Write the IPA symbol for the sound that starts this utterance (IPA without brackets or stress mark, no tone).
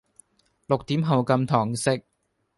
l